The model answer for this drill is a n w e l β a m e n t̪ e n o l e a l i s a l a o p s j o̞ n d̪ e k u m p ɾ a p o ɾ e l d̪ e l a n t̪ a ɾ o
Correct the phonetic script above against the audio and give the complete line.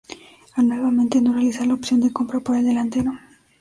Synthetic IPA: a n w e l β a m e n t̪ e n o r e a l i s a l a o p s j o̞ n d̪ e k o m p ɾ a p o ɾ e l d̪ e l a n t̪ e ɾ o